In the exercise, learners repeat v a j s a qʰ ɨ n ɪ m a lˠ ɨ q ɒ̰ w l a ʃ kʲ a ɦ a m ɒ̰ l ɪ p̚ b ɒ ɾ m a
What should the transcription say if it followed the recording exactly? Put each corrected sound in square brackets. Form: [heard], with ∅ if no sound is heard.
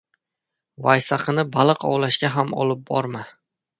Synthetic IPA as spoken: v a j s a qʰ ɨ n ɪ [b] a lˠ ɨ q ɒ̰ w l a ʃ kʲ a ɦ a m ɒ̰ l ɪ p̚ b ɒ ɾ m a